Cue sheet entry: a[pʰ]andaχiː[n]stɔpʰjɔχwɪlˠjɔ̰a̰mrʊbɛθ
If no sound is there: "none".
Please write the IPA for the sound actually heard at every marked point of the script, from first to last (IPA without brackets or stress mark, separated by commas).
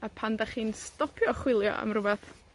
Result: pʰ, n